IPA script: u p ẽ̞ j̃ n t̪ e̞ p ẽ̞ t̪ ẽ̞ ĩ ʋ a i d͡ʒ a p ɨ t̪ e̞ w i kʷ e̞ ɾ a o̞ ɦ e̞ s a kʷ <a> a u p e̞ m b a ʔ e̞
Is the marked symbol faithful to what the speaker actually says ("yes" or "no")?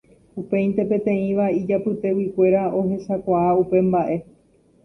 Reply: yes